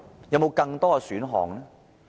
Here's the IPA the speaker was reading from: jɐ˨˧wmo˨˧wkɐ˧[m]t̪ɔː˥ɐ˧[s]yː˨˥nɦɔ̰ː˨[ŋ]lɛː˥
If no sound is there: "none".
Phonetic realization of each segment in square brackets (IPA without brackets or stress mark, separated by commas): ŋ, s, ŋ